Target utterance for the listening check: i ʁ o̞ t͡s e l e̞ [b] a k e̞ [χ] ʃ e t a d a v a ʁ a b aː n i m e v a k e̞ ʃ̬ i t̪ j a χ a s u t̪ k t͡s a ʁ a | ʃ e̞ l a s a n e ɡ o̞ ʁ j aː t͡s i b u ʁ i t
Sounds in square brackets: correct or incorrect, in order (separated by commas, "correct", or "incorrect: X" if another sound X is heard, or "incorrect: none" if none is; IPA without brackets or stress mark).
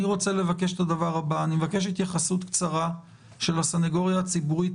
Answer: incorrect: v, incorrect: none